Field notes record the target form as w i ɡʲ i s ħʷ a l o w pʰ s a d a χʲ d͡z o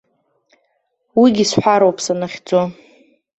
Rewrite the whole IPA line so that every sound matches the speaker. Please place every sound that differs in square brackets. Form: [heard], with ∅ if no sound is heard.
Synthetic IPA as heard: w i ɡʲ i s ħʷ a [ɾ] o w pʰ s a [n] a χʲ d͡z o